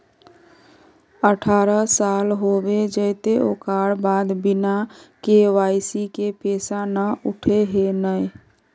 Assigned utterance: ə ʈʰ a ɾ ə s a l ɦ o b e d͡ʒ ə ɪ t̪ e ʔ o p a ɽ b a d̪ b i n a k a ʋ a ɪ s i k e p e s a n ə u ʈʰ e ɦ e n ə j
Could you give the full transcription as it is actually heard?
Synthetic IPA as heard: ə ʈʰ a ɾ ə s a l ɦ o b e d͡ʒ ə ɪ t̪ e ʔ o k a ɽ b a d̪ b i n a k e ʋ a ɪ s i k e p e s a n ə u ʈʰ e ɦ e n ə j